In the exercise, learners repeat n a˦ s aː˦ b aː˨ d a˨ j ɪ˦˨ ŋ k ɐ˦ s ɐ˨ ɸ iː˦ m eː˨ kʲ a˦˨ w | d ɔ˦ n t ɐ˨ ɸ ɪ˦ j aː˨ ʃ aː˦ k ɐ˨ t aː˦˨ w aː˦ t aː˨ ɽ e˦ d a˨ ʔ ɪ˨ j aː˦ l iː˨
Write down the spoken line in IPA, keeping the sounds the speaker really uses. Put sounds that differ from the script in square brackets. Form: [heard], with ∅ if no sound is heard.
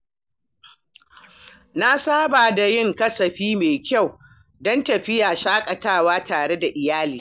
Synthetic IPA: n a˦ s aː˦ b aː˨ d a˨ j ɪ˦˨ ŋ k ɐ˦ s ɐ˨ ɸ iː˦ m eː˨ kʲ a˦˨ w | d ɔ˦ n t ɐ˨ ɸ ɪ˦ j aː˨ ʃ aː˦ [kʼ] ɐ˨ t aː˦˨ w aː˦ t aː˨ ɽ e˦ d a˨ ʔ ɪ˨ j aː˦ l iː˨